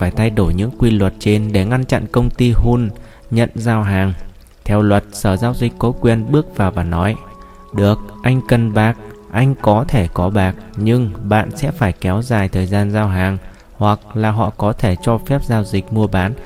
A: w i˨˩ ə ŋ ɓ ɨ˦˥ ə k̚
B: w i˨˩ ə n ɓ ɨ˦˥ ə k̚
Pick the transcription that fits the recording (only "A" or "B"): B